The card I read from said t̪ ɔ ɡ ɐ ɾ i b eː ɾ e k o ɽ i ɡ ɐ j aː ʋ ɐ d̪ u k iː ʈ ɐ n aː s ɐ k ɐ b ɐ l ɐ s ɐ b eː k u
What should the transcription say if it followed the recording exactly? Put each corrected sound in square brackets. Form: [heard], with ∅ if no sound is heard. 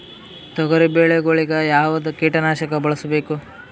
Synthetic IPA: t̪ ɔ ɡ ɐ ɾ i b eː [ɭ] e [ɡ] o [ɭ] i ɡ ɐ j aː ʋ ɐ d̪ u k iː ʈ ɐ n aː [ʃ] ɐ k ɐ b ɐ [ɭ] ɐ s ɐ b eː k u